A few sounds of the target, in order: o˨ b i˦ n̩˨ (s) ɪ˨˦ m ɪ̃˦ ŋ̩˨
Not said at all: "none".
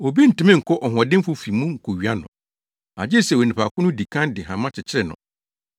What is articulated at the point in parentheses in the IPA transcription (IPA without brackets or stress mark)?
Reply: t